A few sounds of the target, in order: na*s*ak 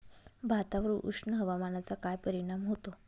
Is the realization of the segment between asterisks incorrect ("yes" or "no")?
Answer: yes